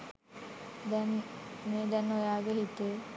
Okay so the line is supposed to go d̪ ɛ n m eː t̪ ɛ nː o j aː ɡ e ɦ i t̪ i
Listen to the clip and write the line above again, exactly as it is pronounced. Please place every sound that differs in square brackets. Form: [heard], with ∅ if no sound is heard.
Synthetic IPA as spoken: d̪ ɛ n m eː [d̪] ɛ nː o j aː ɡ e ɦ i t̪ [e]